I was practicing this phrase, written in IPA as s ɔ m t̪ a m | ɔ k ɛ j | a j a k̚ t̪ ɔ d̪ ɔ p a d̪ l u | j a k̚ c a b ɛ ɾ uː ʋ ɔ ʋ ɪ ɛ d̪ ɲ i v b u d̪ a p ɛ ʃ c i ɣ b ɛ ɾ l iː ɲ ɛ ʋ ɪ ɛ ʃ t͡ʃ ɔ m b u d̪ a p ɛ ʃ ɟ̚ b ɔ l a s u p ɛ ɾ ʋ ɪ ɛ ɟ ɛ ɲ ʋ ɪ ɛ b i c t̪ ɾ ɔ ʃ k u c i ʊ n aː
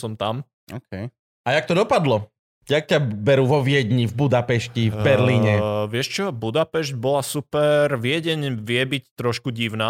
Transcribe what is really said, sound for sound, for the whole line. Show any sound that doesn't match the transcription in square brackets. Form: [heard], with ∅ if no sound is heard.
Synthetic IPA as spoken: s ɔ m t̪ a m | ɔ k ɛ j | a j a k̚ t̪ ɔ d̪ ɔ p a d̪ l [ɔ] | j a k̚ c a b ɛ ɾ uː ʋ ɔ ʋ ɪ ɛ d̪ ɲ i v b u d̪ a p ɛ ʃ c i [v] b ɛ ɾ l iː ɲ ɛ ʋ ɪ ɛ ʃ t͡ʃ ɔ [∅] b u d̪ a p ɛ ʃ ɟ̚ b ɔ l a s u p ɛ ɾ ʋ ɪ ɛ ɟ ɛ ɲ ʋ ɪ ɛ b i c t̪ ɾ ɔ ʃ k u [ɟ] i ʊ n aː